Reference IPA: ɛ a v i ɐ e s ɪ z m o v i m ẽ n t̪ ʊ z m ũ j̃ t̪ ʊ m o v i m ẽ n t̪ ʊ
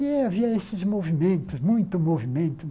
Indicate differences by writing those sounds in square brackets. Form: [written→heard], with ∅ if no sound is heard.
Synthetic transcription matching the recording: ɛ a v i ɐ e s ɪ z m o v i m ẽ n t̪ ʊ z m ũ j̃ t̪ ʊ m o v i m ẽ n t̪ ʊ